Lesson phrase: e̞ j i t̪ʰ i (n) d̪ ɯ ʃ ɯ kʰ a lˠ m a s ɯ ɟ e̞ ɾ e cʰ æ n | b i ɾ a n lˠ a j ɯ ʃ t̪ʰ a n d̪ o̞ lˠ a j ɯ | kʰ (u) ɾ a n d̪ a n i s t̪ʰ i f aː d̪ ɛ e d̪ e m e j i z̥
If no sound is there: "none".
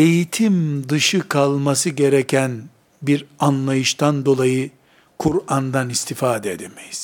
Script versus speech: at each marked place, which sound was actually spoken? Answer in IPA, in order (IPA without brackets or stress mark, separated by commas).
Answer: m, u